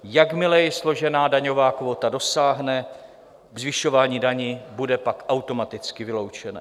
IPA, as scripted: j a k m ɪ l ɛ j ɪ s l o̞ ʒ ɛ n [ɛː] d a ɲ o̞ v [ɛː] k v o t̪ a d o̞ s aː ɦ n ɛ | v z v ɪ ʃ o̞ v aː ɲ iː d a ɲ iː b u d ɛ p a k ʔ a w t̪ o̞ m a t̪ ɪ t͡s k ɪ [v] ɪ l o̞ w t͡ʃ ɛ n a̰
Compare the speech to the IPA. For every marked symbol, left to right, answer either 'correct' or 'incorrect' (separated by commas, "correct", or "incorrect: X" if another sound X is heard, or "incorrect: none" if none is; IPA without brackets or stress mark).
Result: incorrect: aː, incorrect: aː, correct